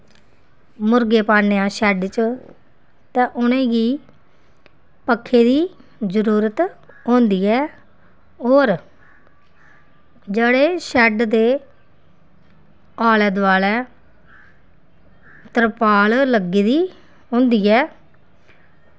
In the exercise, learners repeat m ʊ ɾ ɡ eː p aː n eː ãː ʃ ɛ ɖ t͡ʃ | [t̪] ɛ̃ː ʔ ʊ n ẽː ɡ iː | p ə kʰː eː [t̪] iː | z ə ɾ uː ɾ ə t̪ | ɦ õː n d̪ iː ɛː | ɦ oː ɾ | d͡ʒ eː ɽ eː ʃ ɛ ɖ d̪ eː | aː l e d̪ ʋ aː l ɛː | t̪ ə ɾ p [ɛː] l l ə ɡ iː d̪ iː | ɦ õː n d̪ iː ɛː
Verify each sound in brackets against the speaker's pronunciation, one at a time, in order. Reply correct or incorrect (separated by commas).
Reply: correct, incorrect, incorrect